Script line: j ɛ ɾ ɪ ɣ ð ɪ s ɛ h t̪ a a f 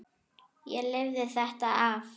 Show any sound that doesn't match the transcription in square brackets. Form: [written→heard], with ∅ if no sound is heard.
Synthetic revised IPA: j ɛ [ɾ→l] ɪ [ɣ→v] ð ɪ [s→θ] ɛ h t̪ a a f